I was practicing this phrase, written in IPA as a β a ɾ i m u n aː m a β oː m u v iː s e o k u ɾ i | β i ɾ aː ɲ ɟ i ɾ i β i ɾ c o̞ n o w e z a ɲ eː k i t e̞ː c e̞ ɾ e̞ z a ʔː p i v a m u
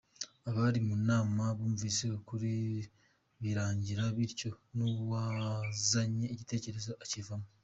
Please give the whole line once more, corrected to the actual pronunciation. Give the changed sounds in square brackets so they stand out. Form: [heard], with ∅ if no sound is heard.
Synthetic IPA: a β a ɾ i m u n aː m a β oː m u v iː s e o k u ɾ i | β i ɾ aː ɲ ɟ i ɾ [a] β i ɾ c o̞ n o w [a] z a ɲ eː [c] i t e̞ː c e̞ ɾ e̞ z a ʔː [c] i v a m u